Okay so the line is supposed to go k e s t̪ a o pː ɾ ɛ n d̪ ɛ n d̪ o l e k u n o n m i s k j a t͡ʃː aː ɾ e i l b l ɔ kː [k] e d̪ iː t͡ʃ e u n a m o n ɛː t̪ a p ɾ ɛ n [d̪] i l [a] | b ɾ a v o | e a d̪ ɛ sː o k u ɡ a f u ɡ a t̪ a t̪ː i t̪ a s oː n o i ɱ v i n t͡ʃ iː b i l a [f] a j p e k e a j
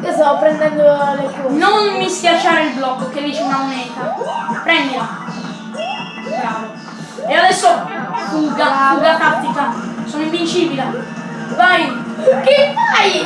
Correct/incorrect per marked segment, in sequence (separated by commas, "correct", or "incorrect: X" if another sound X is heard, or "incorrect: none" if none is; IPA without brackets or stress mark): correct, correct, correct, incorrect: v